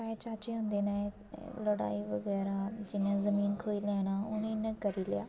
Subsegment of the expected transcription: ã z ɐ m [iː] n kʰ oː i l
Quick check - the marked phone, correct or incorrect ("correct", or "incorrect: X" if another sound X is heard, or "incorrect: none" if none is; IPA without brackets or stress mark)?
correct